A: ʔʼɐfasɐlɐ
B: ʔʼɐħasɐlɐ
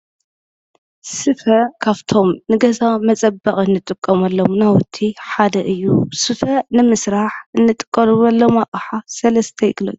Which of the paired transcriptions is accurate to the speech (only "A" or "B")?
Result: B